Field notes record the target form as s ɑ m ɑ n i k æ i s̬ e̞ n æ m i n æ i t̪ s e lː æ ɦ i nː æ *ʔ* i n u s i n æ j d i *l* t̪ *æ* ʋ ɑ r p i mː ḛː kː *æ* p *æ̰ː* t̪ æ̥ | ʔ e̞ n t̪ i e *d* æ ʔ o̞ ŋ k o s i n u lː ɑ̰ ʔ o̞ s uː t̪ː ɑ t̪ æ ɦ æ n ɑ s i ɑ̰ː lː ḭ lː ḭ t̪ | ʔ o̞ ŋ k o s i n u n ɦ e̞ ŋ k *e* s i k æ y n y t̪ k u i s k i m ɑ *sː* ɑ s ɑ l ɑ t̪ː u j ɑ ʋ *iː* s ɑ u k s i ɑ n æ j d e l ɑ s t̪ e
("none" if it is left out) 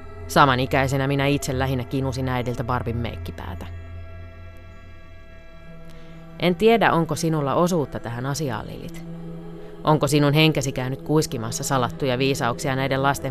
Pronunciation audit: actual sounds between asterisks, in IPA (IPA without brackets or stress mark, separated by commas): k, l, æ, i, æ̰ː, d, æ, sː, iː